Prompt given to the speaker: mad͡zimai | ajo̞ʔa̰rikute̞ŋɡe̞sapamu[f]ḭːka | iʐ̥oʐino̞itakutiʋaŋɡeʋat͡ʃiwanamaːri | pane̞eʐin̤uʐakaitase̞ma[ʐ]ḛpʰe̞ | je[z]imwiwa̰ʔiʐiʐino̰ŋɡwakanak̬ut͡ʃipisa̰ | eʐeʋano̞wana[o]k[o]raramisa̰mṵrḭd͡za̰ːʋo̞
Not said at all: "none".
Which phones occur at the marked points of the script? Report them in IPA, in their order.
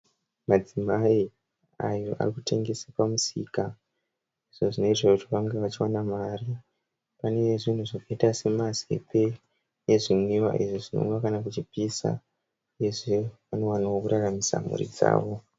s, z, ʐ, o, u

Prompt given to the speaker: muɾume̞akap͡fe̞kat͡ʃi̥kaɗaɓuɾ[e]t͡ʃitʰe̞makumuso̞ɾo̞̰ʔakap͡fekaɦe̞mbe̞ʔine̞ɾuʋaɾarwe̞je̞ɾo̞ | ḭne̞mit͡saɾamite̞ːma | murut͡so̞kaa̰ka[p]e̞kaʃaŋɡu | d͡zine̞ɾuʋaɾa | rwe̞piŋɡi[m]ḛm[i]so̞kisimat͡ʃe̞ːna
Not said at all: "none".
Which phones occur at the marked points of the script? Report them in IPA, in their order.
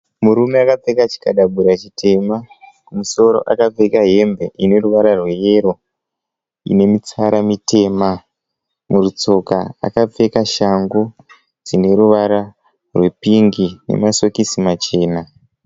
a, p͡f, n, a

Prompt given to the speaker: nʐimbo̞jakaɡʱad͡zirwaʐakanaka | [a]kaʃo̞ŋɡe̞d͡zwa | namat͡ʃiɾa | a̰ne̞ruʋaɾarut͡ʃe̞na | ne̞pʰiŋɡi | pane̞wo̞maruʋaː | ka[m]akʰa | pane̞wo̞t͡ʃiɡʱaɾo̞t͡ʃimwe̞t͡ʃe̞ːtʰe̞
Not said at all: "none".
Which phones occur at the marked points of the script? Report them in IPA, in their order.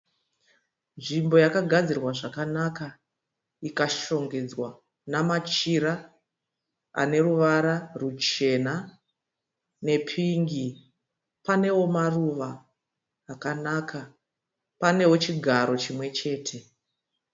i, n

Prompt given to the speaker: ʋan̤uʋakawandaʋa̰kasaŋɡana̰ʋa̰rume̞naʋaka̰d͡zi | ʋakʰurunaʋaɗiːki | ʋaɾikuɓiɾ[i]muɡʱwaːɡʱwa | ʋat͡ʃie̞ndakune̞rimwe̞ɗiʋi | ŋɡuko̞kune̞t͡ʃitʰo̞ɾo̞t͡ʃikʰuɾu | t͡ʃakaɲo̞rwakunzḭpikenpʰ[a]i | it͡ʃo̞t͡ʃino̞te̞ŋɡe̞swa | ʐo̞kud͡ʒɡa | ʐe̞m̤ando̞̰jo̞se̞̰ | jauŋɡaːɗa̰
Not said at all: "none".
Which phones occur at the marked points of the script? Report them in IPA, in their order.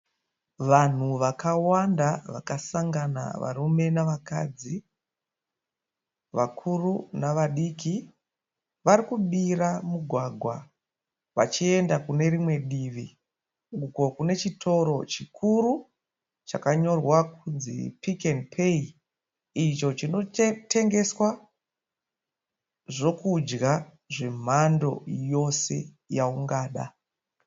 a, e

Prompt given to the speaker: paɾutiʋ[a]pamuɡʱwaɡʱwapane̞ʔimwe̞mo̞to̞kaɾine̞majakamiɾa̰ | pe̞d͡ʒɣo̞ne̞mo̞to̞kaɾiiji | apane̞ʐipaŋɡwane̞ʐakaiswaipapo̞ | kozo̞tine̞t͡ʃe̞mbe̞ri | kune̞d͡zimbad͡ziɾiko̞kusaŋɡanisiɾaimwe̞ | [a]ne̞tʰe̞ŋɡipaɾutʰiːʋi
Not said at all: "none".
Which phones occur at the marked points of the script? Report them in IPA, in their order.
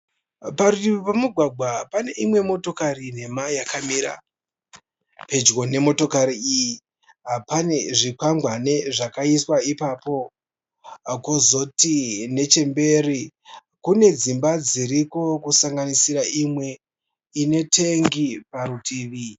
i, i

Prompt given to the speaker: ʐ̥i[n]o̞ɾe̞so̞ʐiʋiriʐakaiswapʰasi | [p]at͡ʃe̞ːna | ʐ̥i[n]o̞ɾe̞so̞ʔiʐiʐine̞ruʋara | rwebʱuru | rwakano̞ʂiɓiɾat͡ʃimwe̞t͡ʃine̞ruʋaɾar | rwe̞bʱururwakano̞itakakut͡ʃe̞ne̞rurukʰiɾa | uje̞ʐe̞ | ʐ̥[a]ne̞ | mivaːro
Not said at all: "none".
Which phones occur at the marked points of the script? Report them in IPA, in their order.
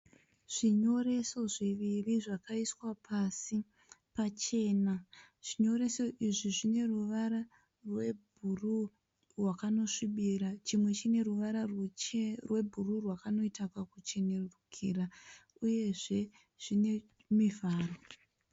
ɲ, p, ɲ, i

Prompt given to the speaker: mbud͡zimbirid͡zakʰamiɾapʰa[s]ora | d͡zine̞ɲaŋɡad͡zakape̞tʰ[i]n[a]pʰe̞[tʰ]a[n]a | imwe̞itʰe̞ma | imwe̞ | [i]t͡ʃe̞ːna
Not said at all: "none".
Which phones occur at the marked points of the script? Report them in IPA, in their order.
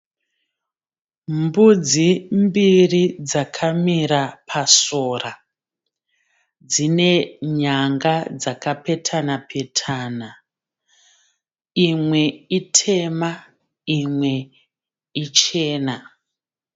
s, a, a, tʰ, n, i

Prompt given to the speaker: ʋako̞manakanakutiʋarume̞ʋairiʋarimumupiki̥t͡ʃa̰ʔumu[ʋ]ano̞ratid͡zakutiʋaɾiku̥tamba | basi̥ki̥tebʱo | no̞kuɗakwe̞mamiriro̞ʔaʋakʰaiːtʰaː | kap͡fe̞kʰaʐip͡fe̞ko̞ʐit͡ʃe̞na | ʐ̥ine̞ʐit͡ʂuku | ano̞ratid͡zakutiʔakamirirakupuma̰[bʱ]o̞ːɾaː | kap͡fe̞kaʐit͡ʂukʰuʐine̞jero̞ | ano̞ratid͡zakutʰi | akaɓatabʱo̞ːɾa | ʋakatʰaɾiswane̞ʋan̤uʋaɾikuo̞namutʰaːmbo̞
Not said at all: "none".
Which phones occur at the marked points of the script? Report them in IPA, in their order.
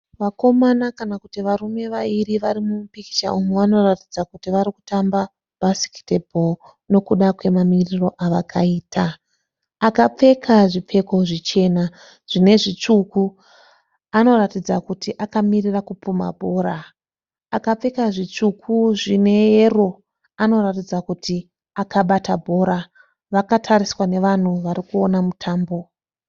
ʋ, bʱ

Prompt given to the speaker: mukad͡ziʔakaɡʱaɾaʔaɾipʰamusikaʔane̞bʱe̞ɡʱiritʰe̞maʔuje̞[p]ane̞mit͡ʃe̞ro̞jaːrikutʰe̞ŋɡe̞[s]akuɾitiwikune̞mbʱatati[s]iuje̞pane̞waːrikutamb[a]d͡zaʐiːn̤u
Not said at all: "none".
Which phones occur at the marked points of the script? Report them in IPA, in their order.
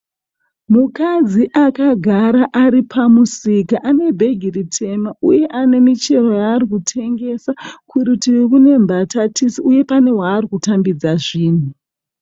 ʔ, s, s, i

